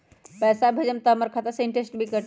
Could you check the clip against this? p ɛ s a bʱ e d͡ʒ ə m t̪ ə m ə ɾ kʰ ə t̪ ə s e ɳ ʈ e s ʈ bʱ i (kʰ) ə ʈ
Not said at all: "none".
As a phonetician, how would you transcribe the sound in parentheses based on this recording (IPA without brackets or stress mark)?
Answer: k